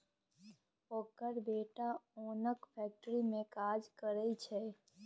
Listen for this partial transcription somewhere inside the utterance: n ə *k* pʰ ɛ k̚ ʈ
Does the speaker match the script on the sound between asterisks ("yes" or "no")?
yes